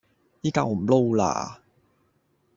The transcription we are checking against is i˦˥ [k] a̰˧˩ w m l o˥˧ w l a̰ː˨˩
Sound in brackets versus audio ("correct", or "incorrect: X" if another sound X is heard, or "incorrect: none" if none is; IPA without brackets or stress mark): correct